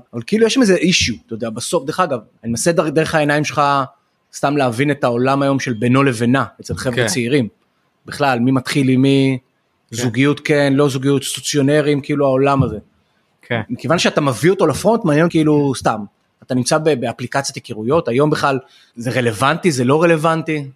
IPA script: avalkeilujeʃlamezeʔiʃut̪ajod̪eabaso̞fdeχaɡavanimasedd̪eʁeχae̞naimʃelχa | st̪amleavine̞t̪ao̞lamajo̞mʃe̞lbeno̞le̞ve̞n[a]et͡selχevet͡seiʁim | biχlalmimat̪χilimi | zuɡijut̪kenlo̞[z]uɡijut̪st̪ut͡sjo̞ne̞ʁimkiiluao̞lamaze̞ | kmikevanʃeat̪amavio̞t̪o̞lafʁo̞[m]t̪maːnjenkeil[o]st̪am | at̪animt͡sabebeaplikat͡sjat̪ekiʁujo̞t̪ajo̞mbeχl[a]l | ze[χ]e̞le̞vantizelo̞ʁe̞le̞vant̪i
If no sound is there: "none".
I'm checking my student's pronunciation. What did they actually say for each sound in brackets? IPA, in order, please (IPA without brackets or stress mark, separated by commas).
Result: a, z, n, u, a, ʁ